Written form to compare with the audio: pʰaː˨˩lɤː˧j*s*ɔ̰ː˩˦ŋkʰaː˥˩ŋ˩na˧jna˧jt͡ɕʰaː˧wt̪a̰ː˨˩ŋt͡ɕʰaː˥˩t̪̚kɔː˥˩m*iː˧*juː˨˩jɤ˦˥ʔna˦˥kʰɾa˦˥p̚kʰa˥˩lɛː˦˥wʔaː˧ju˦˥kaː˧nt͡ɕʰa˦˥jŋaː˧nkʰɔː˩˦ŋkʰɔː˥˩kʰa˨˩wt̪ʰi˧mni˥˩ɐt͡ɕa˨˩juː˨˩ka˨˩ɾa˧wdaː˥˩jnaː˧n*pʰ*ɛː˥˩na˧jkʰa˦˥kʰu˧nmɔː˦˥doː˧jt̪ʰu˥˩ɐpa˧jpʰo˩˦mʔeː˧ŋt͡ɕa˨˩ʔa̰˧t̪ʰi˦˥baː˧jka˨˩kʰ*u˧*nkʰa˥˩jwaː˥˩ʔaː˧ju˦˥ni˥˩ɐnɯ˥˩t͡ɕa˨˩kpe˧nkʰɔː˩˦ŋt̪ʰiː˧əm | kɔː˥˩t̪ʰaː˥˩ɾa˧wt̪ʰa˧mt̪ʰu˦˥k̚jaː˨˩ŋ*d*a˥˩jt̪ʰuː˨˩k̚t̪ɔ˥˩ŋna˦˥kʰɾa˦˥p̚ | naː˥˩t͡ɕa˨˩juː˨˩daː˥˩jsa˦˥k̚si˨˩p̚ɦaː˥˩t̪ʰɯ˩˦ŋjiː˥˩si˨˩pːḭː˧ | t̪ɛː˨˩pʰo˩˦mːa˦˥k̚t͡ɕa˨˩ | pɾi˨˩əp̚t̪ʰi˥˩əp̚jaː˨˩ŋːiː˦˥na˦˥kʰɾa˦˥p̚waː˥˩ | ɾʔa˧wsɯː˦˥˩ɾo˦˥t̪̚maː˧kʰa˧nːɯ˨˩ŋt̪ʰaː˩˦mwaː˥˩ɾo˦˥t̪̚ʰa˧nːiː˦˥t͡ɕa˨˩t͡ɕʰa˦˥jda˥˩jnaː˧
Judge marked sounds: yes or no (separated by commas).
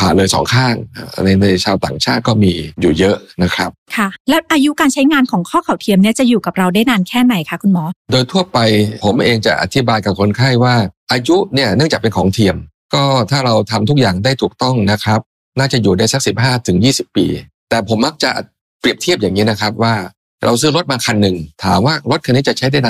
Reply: yes, yes, no, no, yes